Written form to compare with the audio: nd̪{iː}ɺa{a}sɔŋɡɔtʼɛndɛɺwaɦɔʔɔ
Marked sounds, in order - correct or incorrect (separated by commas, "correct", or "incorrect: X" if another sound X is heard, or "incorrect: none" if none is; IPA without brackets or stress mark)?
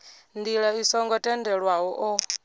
incorrect: i, incorrect: i